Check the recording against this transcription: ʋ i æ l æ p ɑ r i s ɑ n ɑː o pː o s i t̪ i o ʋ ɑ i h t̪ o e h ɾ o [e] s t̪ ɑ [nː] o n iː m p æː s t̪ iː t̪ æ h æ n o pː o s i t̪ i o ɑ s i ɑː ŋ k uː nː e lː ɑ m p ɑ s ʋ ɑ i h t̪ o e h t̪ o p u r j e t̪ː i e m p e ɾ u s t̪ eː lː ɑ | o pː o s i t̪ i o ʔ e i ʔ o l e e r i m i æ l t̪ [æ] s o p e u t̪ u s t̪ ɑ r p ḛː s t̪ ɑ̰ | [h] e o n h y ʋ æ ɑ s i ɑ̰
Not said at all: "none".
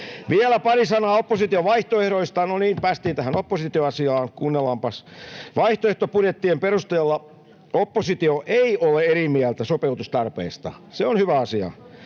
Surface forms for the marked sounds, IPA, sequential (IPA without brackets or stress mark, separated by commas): i, n, æ, s